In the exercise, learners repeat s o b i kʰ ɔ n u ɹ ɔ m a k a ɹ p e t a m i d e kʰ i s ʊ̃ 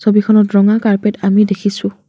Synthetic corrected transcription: s o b i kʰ ɔ n ɔ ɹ ɔ ŋ a k a ɹ p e t a m i d e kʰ i s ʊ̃